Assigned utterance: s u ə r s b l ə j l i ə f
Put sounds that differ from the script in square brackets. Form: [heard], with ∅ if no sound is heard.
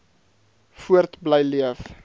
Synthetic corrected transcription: [f] u ə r [t] b l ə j l i ə f